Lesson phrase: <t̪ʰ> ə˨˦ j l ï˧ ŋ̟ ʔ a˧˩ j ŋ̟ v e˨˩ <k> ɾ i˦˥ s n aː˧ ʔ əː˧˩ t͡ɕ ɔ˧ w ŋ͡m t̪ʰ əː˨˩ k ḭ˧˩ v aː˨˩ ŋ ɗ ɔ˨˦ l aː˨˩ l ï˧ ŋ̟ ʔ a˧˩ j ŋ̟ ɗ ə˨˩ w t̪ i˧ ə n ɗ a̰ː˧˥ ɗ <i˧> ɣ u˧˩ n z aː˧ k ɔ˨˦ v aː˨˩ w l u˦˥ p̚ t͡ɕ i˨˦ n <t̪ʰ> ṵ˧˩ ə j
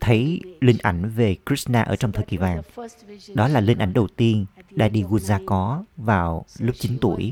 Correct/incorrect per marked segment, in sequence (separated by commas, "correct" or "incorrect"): correct, correct, correct, incorrect